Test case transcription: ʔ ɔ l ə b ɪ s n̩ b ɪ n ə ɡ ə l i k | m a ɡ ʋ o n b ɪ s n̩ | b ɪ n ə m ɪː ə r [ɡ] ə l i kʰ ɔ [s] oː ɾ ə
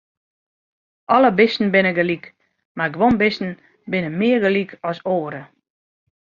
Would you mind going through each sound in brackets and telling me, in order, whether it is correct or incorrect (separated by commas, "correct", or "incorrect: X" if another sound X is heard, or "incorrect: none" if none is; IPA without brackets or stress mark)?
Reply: correct, correct